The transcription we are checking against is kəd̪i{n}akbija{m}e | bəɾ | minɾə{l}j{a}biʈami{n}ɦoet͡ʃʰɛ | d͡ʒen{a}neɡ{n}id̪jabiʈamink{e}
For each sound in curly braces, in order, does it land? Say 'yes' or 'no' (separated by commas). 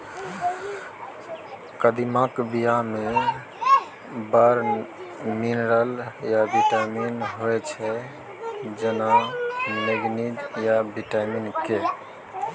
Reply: no, yes, yes, yes, yes, yes, yes, yes